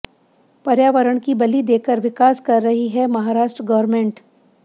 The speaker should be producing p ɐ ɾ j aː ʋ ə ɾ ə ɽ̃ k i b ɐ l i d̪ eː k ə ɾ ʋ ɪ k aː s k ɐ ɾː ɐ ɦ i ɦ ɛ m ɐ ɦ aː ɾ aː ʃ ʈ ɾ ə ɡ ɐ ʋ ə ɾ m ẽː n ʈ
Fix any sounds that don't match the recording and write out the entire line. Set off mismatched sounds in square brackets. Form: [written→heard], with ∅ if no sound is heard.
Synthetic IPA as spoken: p ɐ ɾ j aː ʋ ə ɾ ə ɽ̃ k i b ɐ l i d̪ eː k ə ɾ ʋ ɪ k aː s k ɐ ɾː ɐ ɦ i ɦ ɛ m ɐ ɦ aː ɾ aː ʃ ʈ ɾ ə ɡ ɐ ʋ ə ɾ m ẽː [n→ɳ] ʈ